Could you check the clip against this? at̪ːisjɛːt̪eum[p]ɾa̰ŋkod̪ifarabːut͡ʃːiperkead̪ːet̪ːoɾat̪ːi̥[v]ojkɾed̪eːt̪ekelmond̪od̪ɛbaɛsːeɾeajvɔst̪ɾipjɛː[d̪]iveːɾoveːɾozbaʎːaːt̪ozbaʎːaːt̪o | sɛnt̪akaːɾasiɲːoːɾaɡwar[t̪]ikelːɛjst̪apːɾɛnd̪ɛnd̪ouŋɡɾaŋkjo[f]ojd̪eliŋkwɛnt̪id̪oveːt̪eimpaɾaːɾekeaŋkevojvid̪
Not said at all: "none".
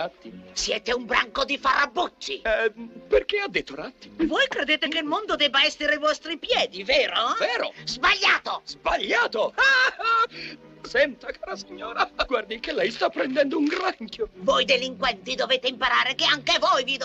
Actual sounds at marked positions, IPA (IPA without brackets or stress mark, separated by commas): b, v, d̪, d̪, v